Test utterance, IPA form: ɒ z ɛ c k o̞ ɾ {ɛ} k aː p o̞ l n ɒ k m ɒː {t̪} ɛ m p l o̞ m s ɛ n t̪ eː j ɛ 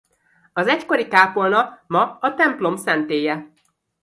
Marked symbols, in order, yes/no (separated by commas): no, yes